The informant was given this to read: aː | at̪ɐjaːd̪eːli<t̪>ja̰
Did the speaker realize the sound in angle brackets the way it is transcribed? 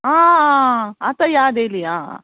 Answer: no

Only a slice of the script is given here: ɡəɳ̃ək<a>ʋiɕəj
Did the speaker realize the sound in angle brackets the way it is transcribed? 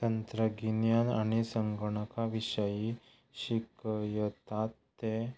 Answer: yes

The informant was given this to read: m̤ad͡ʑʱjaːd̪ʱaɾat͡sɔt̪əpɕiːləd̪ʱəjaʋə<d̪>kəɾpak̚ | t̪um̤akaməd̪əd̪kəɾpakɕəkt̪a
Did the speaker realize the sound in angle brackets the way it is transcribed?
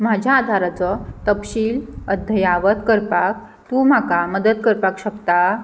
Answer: no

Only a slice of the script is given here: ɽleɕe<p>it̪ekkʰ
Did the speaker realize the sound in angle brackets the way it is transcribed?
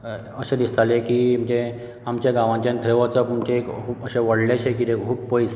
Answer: no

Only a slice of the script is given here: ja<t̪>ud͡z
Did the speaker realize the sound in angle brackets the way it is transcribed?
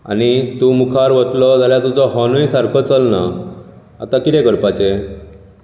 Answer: yes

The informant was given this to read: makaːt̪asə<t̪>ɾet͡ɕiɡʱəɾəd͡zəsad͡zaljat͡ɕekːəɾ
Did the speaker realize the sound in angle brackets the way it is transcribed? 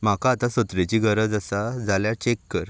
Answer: yes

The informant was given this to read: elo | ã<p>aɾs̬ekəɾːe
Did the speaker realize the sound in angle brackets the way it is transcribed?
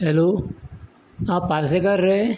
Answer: yes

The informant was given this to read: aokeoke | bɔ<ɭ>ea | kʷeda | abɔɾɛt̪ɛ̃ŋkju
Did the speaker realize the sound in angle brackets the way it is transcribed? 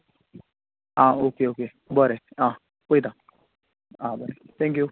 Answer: no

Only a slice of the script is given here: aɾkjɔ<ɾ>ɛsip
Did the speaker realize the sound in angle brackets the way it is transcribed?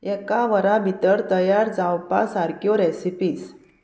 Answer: yes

